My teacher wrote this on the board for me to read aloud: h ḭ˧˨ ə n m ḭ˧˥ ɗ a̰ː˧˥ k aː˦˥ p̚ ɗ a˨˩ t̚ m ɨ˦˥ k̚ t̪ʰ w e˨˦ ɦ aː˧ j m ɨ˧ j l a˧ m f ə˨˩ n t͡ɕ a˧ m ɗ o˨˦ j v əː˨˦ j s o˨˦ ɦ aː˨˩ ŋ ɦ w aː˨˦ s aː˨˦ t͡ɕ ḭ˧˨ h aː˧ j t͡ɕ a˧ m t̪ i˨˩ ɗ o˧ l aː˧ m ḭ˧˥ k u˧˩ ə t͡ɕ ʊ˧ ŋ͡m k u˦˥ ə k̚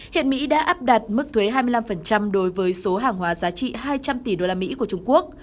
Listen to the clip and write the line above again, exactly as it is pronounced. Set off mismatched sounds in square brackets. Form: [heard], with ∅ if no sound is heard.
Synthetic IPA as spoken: h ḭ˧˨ ə n m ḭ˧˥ ɗ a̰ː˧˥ [ʔ] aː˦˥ p̚ ɗ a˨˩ t̚ m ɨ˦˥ k̚ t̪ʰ w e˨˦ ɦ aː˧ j m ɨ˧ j l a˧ m f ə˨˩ n t͡ɕ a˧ m ɗ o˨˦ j v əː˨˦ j s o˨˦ ɦ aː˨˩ ŋ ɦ w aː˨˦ [z] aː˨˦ t͡ɕ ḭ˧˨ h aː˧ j t͡ɕ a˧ m t̪ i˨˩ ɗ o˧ l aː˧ m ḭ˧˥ k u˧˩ ə t͡ɕ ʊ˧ ŋ͡m k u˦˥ ə k̚

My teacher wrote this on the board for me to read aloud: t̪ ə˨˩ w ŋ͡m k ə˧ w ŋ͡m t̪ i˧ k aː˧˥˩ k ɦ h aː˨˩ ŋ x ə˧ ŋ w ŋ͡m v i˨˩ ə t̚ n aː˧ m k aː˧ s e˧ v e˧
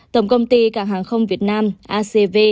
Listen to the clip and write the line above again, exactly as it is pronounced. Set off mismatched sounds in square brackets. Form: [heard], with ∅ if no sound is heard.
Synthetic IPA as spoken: t̪ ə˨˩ w ŋ͡m k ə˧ w ŋ͡m t̪ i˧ k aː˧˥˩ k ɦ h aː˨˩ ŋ x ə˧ [∅] w ŋ͡m v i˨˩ ə t̚ n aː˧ m [ʔ] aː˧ s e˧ v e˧

